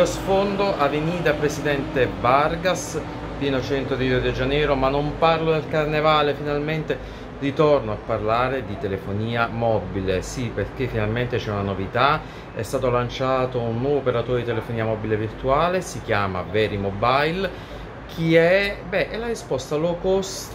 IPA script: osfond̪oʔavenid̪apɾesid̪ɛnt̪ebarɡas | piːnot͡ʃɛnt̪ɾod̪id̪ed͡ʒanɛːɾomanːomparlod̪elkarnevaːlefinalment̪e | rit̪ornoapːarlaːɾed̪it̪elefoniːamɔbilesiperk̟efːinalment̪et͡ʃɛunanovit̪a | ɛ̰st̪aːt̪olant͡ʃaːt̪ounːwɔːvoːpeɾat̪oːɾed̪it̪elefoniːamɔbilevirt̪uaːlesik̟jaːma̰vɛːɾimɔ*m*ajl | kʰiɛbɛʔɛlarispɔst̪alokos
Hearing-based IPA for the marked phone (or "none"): b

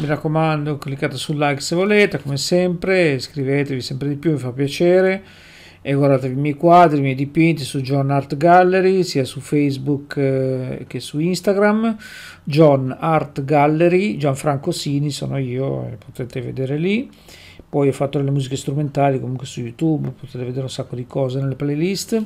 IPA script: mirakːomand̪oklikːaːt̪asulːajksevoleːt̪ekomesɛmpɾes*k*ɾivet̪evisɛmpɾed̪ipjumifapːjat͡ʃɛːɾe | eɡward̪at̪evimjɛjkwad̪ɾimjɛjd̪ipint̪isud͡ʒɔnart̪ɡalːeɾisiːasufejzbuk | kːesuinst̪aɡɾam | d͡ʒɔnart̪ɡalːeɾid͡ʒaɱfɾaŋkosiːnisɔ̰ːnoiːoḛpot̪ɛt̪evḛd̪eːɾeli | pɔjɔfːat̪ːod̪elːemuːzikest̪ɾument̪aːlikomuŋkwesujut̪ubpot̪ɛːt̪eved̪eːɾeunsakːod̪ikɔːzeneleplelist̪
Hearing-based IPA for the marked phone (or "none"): k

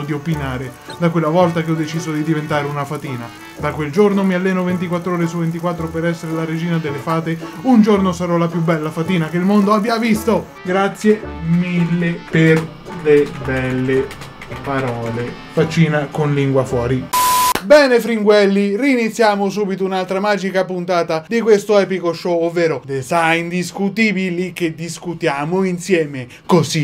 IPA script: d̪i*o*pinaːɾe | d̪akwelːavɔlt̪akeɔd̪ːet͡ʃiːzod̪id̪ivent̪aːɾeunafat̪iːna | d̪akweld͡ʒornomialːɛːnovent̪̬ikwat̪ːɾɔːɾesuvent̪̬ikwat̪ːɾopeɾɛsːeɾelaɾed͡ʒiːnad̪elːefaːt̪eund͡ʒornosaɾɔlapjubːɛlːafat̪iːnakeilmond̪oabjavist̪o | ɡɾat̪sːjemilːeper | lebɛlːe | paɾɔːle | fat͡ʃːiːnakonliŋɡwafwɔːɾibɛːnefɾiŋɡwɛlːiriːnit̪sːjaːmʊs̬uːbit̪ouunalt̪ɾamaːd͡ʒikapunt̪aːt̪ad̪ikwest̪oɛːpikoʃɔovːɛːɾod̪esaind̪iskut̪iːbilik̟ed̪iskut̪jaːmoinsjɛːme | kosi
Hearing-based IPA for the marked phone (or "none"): o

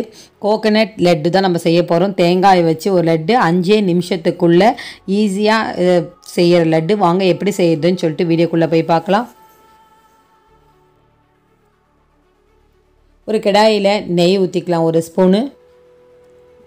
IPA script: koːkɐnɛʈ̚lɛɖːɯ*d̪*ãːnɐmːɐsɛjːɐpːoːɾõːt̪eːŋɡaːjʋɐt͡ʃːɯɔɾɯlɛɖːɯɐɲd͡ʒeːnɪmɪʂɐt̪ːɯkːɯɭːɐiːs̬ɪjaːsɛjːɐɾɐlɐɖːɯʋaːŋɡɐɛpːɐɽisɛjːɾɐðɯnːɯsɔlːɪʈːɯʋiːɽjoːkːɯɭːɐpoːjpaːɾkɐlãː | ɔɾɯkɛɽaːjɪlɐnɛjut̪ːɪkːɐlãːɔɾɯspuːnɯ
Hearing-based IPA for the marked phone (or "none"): t̪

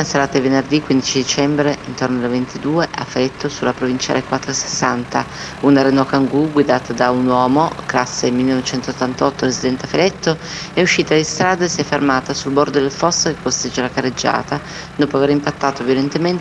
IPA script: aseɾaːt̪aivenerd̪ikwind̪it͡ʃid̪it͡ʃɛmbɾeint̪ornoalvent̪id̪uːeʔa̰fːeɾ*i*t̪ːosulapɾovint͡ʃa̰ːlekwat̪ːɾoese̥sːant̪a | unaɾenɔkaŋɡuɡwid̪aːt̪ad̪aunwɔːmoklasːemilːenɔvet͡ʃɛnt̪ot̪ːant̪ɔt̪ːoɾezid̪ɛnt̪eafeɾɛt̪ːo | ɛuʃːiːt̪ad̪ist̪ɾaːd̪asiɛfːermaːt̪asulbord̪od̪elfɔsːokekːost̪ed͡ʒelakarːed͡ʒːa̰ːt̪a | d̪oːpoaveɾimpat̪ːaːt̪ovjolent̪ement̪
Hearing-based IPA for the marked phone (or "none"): ɛ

